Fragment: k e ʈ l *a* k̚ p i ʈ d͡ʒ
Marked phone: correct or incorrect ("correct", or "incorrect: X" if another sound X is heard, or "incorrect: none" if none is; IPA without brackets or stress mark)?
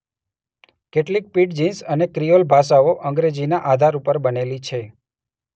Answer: incorrect: i